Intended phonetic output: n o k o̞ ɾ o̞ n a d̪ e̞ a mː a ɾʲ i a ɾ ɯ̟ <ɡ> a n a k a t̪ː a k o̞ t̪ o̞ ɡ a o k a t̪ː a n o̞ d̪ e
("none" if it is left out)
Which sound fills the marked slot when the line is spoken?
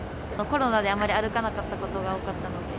k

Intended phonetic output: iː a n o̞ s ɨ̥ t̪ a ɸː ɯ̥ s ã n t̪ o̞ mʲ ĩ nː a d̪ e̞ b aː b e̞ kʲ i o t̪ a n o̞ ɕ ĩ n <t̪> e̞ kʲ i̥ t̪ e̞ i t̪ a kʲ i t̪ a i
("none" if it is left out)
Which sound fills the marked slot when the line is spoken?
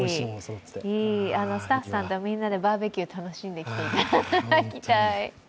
d̪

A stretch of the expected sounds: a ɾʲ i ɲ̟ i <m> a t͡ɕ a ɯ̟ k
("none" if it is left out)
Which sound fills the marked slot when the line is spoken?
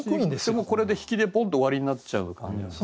n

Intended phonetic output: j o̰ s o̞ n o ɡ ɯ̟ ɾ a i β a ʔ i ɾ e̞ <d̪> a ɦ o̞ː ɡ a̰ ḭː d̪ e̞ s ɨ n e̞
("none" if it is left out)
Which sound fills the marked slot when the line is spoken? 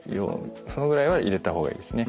t̪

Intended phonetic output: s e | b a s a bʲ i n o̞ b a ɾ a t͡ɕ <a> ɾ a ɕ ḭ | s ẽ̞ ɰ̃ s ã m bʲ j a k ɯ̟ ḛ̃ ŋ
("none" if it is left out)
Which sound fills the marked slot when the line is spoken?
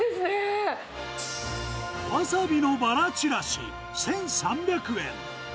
i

